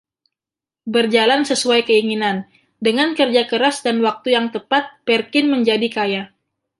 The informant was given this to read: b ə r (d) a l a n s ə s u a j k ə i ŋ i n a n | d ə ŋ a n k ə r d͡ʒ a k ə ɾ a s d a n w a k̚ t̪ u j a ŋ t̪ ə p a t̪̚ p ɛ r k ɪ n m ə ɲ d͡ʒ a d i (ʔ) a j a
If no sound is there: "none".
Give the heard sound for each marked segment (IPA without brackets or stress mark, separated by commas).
d͡ʒ, k